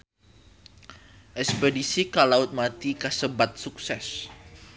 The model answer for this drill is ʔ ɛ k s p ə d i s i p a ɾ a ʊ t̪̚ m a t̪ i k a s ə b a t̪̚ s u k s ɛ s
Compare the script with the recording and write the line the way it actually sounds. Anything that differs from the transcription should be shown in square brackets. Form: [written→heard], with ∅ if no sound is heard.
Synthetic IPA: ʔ ɛ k s p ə d i s i [p→k] a [ɾ→l] a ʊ t̪̚ m a t̪ i k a s ə b a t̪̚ s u k s ɛ s